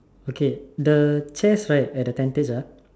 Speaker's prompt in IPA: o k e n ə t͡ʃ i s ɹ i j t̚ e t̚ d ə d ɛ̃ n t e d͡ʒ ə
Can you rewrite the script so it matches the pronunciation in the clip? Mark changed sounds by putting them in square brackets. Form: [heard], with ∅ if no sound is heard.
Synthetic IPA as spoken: o k e [d] ə t͡ʃ [ɛ] s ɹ [a] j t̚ [ɛ] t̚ d ə [t] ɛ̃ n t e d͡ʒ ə